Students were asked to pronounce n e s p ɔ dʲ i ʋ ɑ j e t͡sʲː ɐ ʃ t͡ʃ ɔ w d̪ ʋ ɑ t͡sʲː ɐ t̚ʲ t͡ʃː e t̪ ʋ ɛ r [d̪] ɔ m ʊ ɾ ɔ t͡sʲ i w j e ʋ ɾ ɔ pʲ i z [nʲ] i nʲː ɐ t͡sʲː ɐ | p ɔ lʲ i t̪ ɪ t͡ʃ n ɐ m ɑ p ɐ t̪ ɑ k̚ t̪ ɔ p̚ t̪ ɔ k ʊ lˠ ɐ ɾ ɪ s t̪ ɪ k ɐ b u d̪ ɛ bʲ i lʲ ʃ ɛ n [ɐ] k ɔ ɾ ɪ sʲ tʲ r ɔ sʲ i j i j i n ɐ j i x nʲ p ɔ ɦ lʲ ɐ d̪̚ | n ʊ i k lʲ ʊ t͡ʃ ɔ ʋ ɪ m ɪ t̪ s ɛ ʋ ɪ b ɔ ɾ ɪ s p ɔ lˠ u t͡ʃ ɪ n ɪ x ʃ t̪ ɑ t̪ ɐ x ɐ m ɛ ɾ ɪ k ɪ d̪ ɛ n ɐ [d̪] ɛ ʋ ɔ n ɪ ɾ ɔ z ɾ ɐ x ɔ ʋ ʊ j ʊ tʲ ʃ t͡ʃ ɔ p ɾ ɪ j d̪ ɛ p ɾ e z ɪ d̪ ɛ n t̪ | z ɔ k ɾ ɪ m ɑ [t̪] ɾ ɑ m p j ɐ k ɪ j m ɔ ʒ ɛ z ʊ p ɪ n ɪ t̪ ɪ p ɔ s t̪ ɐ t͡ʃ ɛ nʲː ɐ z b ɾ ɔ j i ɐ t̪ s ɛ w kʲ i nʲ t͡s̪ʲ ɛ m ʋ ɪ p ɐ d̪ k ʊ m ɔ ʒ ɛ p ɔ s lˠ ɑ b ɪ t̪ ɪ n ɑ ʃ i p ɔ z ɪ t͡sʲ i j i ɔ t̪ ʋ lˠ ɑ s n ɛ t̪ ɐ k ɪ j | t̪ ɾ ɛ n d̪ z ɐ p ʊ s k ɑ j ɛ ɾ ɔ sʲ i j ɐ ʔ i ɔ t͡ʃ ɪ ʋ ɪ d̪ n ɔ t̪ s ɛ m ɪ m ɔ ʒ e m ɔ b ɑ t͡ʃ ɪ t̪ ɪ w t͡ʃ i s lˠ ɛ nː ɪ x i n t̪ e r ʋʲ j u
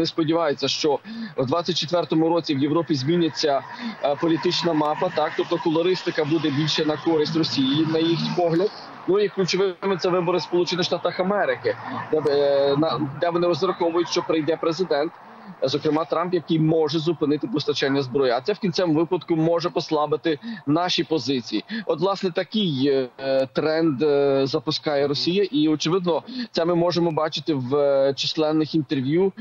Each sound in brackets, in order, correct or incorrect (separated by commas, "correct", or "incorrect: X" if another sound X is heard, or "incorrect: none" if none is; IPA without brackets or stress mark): incorrect: t̪, incorrect: mʲ, correct, correct, correct